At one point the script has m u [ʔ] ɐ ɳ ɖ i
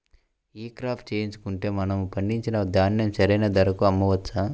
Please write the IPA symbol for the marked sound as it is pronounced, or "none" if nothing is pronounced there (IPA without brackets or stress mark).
p